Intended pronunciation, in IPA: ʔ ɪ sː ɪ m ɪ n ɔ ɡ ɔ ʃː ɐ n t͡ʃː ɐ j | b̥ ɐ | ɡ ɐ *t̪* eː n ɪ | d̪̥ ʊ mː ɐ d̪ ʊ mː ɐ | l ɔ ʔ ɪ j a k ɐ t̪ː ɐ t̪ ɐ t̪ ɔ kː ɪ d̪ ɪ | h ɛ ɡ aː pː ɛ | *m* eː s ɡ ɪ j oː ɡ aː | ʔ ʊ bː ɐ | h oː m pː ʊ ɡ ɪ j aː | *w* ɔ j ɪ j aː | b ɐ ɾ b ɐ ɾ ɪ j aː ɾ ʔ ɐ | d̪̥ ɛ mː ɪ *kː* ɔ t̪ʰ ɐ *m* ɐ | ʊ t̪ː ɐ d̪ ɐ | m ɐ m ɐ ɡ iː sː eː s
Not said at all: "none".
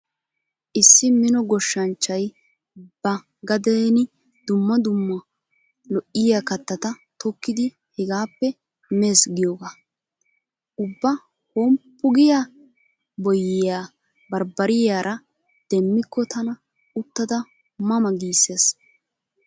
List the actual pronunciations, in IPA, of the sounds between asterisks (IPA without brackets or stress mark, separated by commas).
d̪, m, b, kː, n